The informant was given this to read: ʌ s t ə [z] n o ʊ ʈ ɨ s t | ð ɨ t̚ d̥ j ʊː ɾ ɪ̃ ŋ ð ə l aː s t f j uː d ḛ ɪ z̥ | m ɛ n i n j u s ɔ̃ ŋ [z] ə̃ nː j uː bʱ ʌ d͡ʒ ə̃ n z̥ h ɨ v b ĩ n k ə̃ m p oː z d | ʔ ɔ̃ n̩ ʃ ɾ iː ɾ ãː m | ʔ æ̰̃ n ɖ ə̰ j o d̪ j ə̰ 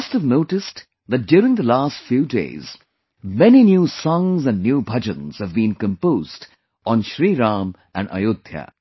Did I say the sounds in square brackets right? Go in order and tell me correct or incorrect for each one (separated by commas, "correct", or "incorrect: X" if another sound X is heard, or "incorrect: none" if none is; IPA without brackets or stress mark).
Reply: incorrect: v, correct